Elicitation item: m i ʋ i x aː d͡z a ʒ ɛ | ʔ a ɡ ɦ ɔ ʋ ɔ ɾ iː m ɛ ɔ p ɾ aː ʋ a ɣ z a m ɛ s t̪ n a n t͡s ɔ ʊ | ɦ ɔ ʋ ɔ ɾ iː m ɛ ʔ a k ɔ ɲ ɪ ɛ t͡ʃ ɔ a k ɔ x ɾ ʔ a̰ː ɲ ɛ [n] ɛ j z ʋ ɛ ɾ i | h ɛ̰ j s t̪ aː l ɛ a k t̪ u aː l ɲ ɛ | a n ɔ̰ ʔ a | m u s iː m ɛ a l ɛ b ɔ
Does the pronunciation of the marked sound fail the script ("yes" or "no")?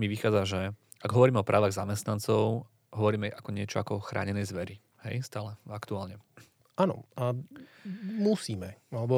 no